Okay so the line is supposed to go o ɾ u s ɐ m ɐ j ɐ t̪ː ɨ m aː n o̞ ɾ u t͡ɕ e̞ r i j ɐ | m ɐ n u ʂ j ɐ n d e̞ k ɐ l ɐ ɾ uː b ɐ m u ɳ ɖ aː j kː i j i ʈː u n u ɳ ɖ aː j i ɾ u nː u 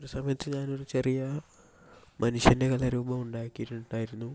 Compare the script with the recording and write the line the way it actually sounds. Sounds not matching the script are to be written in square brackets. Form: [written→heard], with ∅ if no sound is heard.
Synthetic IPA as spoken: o ɾ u s ɐ m ɐ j ɐ t̪ː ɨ [m→ɲ] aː n o̞ ɾ u t͡ɕ e̞ r i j ɐ | m ɐ n u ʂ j ɐ n d e̞ k ɐ l ɐ ɾ uː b ɐ m u ɳ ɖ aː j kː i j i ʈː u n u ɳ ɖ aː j i ɾ u nː u